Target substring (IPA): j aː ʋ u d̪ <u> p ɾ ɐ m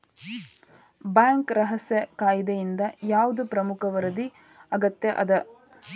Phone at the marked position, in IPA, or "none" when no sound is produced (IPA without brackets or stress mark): u